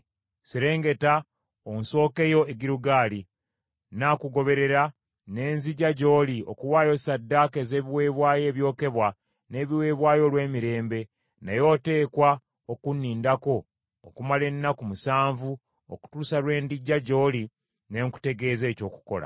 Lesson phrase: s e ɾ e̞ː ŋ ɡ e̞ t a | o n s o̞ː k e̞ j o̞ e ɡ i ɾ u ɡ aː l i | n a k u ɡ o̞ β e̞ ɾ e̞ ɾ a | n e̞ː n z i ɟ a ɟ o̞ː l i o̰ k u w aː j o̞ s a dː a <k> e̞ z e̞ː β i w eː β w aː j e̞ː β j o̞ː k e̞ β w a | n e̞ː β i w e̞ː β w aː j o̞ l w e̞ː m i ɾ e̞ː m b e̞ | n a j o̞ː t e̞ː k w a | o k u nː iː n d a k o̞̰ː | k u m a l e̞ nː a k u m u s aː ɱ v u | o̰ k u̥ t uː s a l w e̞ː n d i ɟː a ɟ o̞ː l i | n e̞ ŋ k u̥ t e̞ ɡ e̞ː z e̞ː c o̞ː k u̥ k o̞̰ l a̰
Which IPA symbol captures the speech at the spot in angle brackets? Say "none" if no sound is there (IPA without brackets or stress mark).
k